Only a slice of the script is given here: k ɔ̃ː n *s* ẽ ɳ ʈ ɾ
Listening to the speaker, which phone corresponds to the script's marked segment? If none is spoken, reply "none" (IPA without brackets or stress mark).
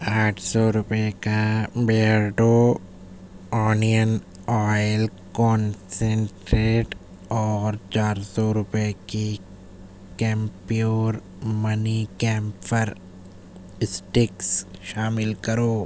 s